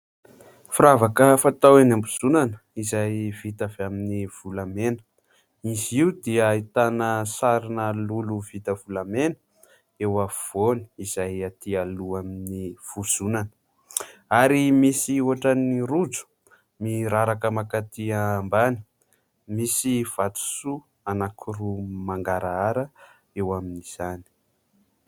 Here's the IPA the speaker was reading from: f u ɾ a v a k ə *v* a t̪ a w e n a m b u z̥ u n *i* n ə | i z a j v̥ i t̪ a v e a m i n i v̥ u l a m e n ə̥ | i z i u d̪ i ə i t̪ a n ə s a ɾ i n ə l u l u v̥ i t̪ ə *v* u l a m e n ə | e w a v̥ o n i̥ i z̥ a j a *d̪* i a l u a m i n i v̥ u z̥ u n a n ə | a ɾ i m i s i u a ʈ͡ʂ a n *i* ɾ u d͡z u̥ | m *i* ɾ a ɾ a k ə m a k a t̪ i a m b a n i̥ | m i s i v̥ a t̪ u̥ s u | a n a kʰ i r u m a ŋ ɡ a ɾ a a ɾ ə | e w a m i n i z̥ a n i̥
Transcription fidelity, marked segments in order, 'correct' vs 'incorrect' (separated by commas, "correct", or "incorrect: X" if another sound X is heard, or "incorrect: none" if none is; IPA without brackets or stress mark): incorrect: f, incorrect: a, correct, incorrect: t̪, correct, correct